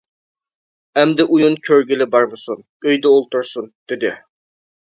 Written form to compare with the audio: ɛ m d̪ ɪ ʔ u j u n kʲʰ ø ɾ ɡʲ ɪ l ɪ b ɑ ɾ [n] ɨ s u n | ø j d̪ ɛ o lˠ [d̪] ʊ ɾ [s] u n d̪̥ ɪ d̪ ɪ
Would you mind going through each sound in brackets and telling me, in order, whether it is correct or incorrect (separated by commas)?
incorrect, incorrect, correct